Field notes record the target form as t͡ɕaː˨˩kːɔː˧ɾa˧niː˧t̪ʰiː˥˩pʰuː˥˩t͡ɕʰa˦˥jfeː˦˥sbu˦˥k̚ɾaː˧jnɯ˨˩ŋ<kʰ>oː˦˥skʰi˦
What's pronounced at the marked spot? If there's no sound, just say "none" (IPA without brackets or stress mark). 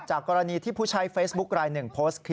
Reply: pʰ